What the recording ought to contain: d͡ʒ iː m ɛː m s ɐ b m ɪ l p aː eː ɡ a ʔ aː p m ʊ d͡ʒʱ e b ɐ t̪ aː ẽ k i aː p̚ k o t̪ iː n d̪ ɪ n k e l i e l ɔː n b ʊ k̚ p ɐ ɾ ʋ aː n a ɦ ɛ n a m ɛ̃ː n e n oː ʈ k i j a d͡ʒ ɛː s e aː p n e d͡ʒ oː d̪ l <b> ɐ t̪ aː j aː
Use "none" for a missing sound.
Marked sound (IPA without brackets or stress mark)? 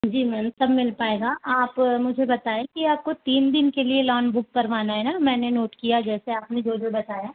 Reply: b